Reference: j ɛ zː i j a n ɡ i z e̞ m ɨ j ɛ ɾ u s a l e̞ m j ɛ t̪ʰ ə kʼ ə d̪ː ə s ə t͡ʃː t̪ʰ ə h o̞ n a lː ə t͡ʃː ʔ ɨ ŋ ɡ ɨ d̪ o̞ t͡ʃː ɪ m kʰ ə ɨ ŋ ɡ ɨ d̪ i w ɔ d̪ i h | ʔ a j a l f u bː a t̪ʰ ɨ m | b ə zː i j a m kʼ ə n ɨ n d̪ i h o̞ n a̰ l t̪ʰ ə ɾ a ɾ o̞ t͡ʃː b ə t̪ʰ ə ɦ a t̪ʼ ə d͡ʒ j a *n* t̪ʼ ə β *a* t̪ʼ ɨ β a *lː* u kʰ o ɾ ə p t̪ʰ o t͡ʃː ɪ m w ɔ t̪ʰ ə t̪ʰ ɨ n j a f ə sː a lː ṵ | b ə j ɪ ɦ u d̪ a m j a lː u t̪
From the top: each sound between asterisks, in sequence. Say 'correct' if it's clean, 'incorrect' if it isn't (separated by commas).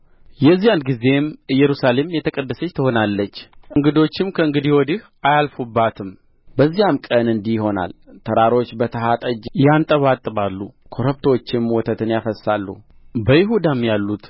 correct, correct, correct